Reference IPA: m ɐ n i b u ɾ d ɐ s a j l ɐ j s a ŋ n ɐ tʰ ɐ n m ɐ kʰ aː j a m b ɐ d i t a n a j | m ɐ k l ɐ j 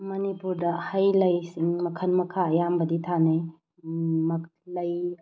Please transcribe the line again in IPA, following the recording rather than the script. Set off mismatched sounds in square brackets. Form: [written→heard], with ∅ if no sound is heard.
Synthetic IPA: m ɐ n i [b→p] u ɾ d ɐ [s→h] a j l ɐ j s [a→i] ŋ [n→m] ɐ [tʰ→kʰ] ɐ n m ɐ kʰ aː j a m b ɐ d i [t→tʰ] a n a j | m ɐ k l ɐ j